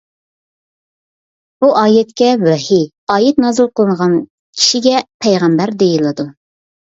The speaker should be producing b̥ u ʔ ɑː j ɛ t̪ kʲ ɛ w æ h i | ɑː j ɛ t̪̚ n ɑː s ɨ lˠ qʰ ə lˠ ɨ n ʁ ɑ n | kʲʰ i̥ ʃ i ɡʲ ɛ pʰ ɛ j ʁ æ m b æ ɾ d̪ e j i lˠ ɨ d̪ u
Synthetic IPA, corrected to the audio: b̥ u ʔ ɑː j ɛ t̪ kʲ ɛ w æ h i | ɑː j ɛ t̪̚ n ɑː z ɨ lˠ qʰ ə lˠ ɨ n ʁ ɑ n | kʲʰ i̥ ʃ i ɡʲ ɛ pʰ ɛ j ʁ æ m b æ ɾ d̪ e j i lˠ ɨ d̪ u